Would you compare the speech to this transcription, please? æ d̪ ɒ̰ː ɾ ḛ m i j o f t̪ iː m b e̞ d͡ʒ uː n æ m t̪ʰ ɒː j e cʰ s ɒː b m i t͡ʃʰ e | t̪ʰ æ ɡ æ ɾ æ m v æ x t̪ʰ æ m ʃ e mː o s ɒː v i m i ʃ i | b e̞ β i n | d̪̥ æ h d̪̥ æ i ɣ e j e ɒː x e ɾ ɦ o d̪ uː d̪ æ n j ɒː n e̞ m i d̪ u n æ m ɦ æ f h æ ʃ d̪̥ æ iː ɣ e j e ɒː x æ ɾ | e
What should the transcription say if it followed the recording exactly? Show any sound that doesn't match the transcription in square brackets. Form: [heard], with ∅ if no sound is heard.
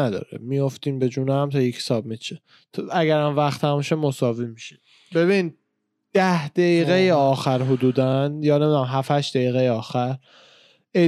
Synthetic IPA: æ d̪ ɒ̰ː ɾ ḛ m i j o f t̪ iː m b e̞ d͡ʒ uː n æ m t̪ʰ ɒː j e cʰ s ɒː b m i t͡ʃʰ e | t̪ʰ æ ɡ æ ɾ æ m v æ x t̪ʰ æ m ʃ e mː o s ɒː v i m i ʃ i | b e̞ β i n | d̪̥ æ h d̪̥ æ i ɣ e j e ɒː x [æ] ɾ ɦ o d̪ uː d̪ æ n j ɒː n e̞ m i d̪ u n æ m ɦ æ f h æ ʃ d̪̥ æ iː ɣ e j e ɒː x æ ɾ | e